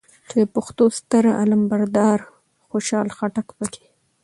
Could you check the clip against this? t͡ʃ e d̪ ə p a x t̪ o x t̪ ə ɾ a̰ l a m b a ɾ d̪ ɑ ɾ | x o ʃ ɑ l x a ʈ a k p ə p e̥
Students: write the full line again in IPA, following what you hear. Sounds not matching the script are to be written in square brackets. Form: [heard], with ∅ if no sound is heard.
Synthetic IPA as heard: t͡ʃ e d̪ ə p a x t̪ o [s] t̪ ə ɾ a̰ l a m b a ɾ d̪ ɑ ɾ | x o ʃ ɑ l x a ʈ a k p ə [k] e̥

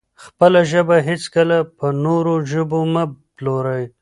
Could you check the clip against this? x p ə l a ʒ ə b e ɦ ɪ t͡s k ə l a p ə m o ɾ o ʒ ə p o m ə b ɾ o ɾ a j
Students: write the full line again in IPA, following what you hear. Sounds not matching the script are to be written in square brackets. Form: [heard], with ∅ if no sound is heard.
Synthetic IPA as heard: x p ə l a ʒ ə b [a] ɦ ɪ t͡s k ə l a p ə [n] o ɾ o ʒ ə [b] o m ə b [l] o ɾ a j

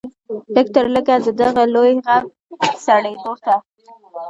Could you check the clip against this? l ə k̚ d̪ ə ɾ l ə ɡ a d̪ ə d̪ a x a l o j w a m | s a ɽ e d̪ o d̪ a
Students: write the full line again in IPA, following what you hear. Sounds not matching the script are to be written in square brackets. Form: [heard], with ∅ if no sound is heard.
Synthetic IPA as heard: l ə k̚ [t̪] ə ɾ l ə ɡ a d̪ ə d̪ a [ɣ] a l o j [ɣ] a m | s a ɽ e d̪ o [t̪] a

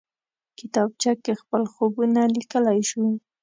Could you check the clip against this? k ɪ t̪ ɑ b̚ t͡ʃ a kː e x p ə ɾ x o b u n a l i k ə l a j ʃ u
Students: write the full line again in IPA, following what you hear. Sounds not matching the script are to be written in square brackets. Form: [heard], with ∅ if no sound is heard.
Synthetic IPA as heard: k ɪ t̪ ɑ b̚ t͡ʃ a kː e x p ə [l] x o b u n a l i k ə l a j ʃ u

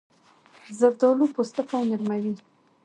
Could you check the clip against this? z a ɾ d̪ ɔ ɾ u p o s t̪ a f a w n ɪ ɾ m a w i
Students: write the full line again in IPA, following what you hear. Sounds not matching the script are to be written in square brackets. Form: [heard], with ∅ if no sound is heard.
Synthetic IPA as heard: z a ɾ d̪ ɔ [l] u p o s t̪ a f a w n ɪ ɾ m a w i

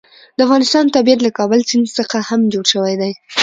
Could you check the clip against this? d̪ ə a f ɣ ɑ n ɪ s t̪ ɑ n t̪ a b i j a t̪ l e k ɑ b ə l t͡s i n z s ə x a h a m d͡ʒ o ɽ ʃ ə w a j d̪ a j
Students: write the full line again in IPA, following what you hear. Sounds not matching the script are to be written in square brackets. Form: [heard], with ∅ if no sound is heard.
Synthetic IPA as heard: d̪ ə a f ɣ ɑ n ɪ s t̪ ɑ n t̪ a b i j a t̪ l [a] k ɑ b ə l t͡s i n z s ə x a h a m d͡ʒ o ɽ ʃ ə w a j d̪ a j

